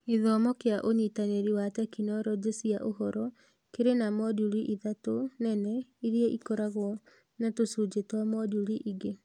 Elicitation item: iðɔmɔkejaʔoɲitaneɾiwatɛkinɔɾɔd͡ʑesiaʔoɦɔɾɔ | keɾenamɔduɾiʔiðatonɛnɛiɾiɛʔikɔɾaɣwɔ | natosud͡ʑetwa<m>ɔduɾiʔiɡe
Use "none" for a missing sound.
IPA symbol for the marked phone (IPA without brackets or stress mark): m